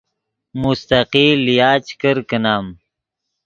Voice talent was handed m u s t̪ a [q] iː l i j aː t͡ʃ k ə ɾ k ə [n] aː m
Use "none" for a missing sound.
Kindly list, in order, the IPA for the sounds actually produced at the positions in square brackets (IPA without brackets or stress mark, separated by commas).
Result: q, n